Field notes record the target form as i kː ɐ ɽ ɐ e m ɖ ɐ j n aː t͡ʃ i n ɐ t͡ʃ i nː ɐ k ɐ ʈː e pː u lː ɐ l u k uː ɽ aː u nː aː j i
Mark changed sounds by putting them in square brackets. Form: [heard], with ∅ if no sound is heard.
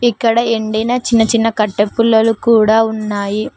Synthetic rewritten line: i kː ɐ ɽ ɐ e [ɳ] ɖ ɐ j n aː t͡ʃ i [nː] ɐ t͡ʃ i nː ɐ k ɐ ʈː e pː u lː ɐ l u k uː ɽ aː u nː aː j i